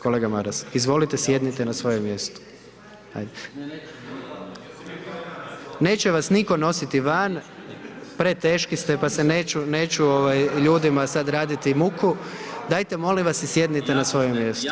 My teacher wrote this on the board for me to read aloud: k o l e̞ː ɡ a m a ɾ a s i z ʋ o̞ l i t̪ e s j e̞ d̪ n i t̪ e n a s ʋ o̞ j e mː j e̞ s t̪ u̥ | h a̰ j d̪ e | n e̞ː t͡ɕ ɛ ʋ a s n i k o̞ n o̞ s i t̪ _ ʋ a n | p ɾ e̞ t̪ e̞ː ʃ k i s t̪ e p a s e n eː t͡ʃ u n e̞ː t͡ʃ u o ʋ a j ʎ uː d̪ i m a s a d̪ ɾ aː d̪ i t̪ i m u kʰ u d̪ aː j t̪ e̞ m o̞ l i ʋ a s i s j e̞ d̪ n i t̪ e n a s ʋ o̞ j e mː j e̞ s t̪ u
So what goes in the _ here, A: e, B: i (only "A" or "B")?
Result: B